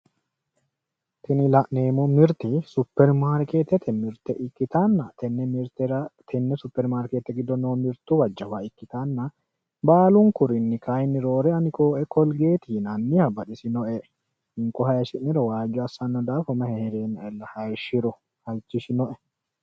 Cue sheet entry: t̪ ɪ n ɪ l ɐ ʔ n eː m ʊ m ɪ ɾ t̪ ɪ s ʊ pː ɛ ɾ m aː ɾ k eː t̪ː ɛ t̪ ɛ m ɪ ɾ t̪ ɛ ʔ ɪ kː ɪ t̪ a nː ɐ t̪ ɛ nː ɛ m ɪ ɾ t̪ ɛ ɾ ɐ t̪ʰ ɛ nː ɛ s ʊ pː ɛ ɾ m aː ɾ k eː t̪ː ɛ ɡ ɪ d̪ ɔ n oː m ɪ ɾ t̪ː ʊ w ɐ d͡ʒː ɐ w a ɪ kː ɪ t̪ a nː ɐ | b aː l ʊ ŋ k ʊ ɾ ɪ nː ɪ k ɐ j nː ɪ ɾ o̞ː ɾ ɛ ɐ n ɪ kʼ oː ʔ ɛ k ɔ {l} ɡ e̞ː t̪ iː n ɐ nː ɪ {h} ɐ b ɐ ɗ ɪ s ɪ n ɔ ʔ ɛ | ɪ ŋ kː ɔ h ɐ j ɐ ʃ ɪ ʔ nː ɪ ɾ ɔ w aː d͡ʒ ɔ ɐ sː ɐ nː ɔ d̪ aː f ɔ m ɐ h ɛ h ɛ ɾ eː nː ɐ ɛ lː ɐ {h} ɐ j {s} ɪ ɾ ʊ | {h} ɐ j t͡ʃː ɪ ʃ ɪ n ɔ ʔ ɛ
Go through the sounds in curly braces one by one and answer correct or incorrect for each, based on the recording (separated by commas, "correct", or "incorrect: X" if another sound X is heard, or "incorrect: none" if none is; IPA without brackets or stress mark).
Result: correct, correct, correct, incorrect: ʃ, correct